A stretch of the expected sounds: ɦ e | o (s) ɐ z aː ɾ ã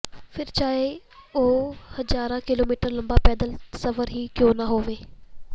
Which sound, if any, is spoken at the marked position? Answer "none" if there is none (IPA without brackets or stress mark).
h